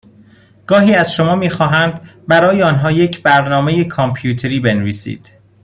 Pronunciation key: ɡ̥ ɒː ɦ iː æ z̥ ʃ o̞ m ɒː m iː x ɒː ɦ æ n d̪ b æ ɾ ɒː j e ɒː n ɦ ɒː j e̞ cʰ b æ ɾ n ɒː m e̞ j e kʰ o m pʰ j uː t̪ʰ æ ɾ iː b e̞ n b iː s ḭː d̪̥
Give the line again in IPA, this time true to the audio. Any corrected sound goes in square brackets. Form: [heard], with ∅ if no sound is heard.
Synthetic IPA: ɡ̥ ɒː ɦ iː æ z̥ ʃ o̞ m ɒː m iː x ɒː ɦ æ n d̪ b æ ɾ ɒː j e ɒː n ɦ ɒː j e̞ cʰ b æ ɾ n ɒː m e̞ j e kʰ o m pʰ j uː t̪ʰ [e] ɾ iː b e̞ n [v] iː s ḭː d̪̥